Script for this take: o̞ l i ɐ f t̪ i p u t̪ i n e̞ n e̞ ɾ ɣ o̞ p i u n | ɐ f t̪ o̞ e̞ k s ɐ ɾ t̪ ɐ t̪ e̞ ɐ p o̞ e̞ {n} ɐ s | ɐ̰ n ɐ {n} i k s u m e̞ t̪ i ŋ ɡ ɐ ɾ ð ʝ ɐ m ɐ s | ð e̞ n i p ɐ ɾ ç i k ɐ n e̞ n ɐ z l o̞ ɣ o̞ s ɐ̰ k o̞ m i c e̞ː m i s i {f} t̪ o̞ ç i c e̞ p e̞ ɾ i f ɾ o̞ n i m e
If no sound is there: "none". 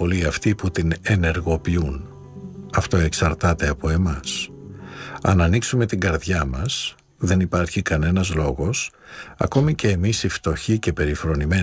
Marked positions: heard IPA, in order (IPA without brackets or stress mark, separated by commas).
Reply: m, n, f